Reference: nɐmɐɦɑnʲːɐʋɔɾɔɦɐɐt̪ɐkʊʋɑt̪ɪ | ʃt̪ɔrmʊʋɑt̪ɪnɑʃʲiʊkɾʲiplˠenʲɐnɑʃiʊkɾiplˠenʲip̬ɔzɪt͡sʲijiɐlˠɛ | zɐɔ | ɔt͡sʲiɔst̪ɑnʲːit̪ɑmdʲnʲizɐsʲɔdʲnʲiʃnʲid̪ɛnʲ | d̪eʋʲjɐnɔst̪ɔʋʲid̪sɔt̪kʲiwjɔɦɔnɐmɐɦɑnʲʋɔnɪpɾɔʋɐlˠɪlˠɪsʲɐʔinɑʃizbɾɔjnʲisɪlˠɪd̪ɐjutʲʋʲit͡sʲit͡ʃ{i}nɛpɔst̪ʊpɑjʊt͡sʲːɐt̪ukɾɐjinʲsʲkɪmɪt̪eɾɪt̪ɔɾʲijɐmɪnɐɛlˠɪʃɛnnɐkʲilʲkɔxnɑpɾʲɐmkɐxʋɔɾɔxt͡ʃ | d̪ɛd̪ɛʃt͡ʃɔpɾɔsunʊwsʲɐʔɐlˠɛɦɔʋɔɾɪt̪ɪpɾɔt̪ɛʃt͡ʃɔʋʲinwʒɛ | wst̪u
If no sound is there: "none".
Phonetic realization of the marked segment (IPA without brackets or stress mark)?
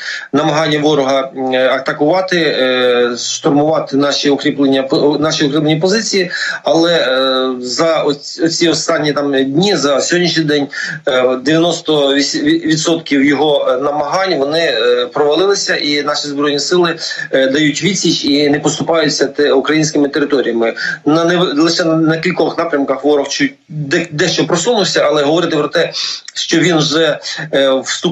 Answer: i